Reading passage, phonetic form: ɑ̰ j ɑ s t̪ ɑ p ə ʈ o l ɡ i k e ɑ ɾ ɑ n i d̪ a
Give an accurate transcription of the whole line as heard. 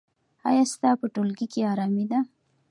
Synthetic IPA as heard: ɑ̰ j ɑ s t̪ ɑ p ə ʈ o l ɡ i k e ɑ ɾ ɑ m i d̪ a